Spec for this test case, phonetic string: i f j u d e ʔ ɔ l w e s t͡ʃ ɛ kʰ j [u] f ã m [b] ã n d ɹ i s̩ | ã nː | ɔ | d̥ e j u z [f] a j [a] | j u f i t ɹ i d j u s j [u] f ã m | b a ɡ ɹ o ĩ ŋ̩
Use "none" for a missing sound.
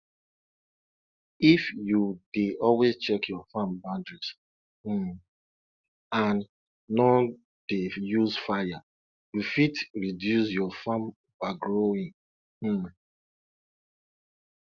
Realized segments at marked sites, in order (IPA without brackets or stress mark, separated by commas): ɔ, b, f, a, ɔ